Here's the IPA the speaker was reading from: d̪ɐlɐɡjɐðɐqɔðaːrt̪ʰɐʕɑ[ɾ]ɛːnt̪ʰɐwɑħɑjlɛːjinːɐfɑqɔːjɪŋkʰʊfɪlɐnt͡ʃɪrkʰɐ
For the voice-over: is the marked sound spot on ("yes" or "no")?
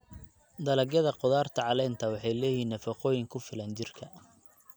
no